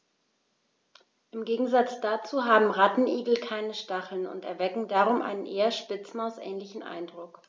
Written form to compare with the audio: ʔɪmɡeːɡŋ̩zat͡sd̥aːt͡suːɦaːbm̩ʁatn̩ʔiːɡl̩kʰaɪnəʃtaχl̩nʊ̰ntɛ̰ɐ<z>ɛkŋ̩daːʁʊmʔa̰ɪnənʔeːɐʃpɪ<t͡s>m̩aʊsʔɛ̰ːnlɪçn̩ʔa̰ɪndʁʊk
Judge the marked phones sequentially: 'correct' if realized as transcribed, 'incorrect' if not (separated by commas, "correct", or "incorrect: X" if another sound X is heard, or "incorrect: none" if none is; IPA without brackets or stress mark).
incorrect: v, correct